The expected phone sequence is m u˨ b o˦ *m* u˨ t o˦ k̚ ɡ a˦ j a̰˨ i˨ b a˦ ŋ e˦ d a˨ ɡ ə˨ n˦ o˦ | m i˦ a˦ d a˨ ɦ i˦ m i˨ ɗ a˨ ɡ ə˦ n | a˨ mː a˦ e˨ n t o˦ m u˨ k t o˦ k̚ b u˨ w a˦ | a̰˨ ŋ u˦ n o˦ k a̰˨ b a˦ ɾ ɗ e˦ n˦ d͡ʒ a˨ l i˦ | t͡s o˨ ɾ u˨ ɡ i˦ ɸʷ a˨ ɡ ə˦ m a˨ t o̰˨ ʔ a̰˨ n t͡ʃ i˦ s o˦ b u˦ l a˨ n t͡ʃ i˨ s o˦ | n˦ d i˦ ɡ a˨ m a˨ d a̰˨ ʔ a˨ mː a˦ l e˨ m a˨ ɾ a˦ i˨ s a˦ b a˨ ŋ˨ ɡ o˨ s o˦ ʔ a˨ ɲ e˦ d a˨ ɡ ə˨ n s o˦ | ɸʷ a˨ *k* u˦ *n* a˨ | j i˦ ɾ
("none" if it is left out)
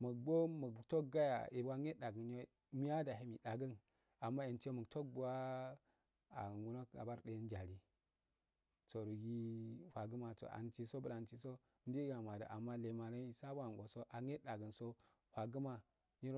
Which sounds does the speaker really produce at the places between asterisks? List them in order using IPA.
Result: m, ɡ, m

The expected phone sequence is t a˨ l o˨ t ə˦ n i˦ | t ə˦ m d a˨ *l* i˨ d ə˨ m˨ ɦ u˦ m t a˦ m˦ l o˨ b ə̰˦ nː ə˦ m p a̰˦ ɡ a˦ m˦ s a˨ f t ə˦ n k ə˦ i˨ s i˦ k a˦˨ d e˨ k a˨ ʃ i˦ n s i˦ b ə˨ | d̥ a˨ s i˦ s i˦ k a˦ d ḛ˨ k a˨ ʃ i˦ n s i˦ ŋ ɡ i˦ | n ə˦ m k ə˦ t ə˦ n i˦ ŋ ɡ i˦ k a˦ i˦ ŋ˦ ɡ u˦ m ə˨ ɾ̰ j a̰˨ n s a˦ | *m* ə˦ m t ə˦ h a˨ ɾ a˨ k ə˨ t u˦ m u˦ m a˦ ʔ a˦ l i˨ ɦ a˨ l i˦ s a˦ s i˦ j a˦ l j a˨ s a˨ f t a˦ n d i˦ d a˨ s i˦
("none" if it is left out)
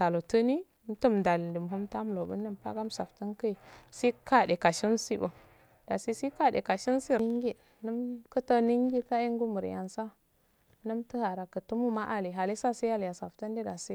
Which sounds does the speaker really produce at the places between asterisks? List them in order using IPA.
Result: l, n

